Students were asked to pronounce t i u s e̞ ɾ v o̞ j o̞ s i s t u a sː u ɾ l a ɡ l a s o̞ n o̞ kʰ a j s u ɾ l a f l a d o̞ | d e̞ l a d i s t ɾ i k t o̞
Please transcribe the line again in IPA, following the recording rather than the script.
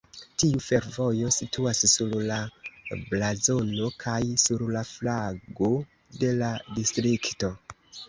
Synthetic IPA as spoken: t i u f e̞ ɾ v o̞ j o̞ s i t u a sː u ɾ l a b l a z o̞ n o̞ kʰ a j s u ɾ l a f l a ɡ o̞ | d e̞ l a d i s t ɾ i k t o̞